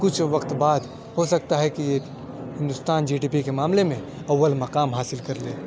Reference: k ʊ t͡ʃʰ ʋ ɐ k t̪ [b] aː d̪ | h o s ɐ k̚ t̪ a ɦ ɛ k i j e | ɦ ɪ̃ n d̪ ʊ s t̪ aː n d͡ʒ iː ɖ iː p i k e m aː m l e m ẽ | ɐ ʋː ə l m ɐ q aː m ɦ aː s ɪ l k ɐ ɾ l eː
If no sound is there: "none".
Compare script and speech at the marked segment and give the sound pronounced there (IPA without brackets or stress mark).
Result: b